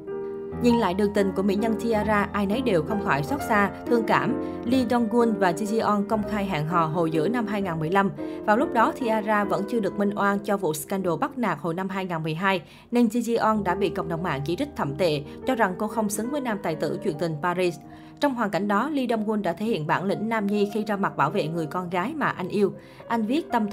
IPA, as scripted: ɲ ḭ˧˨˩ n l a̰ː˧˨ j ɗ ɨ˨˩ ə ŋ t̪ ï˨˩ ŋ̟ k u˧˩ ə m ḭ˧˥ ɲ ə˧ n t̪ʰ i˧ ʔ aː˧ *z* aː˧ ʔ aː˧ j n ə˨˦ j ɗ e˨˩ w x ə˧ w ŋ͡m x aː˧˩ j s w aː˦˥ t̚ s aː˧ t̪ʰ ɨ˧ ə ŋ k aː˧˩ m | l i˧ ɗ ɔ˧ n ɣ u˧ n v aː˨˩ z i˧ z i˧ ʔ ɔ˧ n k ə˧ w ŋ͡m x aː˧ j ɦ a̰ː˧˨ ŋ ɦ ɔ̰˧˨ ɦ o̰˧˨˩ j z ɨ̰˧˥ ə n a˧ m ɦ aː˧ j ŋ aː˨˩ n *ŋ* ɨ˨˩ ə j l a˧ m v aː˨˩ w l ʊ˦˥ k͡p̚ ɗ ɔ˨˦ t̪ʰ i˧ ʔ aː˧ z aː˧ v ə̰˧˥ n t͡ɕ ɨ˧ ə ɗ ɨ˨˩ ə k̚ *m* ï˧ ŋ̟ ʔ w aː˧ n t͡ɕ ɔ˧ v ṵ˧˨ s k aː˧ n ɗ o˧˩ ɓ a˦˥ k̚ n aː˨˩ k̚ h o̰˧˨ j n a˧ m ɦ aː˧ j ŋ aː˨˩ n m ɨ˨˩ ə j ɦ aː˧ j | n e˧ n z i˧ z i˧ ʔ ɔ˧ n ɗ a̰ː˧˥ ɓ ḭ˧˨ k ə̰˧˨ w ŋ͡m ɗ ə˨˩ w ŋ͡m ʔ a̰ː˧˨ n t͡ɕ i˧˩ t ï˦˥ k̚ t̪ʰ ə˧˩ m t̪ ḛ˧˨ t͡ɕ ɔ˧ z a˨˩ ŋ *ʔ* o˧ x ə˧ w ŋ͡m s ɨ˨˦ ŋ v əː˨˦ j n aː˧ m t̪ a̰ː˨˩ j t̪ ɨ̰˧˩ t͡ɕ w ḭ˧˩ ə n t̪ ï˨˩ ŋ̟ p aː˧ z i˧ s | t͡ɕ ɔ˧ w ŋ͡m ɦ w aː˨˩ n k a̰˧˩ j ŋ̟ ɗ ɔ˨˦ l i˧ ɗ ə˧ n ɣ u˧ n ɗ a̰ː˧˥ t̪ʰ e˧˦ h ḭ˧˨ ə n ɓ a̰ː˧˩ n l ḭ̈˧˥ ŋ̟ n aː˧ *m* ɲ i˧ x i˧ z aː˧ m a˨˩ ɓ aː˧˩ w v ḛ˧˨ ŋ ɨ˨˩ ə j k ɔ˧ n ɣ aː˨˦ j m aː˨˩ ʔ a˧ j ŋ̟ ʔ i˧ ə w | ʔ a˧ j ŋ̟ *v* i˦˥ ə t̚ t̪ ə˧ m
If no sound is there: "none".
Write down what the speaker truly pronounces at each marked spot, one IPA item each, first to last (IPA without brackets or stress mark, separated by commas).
z, m, m, k, m, v